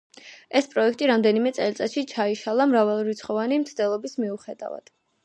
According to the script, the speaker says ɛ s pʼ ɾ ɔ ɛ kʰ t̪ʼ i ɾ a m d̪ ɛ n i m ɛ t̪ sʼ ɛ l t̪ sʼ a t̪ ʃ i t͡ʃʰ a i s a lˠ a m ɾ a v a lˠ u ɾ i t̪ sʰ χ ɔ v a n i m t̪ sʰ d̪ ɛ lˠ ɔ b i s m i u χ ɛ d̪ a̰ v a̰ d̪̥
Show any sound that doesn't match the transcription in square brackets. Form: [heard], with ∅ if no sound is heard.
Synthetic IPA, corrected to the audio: ɛ s pʼ ɾ ɔ ɛ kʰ t̪ʼ i ɾ a m d̪ ɛ n i m ɛ t̪ sʼ ɛ l t̪ sʼ a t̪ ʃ i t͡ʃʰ a i [ʃ] a lˠ a m ɾ a v a lˠ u ɾ i t̪ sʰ χ ɔ v a n i m t̪ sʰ d̪ ɛ lˠ ɔ b i s m i u χ ɛ d̪ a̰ v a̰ d̪̥